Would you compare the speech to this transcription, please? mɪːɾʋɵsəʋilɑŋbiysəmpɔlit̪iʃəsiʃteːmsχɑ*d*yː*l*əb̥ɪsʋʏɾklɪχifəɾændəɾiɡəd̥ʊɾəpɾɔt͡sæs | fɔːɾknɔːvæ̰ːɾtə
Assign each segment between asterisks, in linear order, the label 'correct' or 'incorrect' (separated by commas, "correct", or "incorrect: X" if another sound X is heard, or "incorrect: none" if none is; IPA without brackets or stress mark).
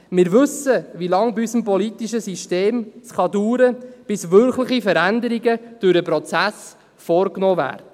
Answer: correct, incorrect: ɾ